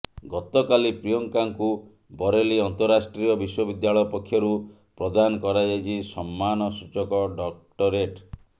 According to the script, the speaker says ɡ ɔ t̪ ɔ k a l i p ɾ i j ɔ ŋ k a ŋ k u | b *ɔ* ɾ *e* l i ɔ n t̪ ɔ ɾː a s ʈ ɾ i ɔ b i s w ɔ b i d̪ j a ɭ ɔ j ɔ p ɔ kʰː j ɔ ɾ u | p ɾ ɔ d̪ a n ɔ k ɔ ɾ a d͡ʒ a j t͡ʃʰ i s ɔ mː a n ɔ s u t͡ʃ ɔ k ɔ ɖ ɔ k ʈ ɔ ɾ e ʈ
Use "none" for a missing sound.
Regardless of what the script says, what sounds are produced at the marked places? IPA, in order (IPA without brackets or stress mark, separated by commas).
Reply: ɔ, e